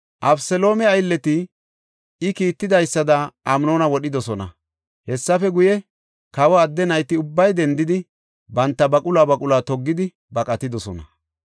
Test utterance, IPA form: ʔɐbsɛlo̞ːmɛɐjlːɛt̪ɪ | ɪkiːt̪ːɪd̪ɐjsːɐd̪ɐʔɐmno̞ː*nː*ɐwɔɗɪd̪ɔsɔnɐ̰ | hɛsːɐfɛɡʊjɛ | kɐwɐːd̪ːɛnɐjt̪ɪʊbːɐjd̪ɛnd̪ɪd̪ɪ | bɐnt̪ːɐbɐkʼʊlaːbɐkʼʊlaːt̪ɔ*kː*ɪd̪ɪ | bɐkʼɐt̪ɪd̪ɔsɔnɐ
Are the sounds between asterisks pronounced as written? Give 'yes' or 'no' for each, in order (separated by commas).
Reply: no, no